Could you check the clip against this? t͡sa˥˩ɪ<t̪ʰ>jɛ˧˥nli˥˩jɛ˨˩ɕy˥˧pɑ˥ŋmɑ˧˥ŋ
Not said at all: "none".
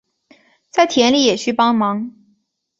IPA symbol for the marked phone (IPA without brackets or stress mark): t̪ʰ